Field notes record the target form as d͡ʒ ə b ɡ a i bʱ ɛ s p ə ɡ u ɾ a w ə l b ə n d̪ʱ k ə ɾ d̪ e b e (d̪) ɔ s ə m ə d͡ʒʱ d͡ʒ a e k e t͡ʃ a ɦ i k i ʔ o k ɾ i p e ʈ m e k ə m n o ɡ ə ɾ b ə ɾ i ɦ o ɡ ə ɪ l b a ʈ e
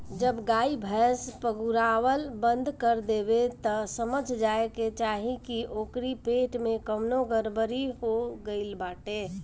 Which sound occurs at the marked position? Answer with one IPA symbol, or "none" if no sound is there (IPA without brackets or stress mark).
t̪